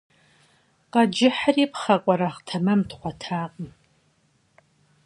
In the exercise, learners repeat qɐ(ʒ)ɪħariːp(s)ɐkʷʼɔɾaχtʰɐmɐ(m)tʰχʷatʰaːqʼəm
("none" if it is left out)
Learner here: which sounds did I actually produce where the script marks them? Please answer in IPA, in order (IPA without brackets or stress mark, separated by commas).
d͡ʒ, χ, m